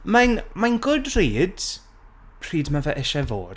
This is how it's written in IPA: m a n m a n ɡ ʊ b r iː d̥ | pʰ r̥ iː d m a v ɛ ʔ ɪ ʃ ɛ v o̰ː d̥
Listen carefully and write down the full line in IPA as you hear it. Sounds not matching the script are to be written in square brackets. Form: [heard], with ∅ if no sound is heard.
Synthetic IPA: m a n m a n ɡ ʊ [d] r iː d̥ | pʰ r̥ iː d m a v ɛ ʔ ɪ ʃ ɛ v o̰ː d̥